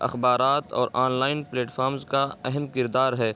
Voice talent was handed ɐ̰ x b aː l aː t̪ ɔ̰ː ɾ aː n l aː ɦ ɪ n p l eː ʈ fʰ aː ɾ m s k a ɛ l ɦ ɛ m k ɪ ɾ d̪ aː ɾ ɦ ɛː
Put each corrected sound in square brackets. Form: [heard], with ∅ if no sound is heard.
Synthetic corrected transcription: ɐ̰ x b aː [ɾ] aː t̪ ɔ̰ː ɾ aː n l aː [∅] ɪ n p l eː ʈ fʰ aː ɾ m [z] k a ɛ [∅] ɦ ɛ m k ɪ ɾ d̪ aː ɾ ɦ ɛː